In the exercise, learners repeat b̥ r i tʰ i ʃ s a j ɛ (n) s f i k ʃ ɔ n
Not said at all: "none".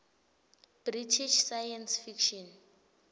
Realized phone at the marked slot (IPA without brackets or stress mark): n